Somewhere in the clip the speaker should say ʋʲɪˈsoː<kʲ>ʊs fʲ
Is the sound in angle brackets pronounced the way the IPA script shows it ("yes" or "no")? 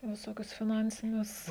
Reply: yes